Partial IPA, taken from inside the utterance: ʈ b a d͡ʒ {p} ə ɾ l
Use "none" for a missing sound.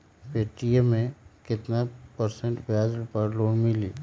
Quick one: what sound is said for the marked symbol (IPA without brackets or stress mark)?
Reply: p